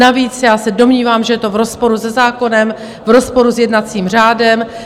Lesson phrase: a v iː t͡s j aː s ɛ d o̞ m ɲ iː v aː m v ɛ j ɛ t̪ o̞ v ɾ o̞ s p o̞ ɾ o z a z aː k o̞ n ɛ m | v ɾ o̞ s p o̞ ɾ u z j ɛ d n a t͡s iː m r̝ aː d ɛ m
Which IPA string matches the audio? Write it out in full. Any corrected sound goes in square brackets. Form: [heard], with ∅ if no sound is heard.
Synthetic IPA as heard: a v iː t͡s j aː s ɛ d o̞ m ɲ iː v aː m [ʒ] ɛ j ɛ t̪ o̞ v ɾ o̞ s p o̞ ɾ [u] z [ɛ] z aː k o̞ n ɛ m | v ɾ o̞ s p o̞ ɾ u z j ɛ d n a t͡s iː m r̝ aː d ɛ m